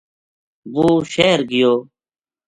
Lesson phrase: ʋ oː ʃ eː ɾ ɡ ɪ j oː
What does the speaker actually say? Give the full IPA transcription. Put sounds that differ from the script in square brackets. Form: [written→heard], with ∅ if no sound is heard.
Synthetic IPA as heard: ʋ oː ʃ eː ɾ ɡ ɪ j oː